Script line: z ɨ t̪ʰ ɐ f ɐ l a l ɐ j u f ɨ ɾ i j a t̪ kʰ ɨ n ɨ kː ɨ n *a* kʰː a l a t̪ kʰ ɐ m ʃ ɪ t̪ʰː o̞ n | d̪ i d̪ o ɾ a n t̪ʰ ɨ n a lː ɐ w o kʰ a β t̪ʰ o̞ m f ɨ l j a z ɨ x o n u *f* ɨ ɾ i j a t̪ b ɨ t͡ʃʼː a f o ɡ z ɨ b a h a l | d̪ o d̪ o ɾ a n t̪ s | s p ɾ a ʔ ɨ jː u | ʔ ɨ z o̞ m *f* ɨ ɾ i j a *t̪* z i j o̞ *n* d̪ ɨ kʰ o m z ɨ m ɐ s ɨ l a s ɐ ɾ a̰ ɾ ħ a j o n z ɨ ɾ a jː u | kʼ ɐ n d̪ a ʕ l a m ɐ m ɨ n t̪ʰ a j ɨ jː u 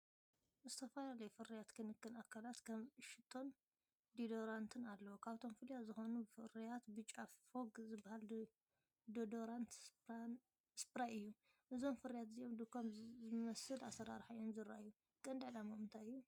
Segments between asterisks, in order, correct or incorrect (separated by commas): correct, correct, correct, correct, incorrect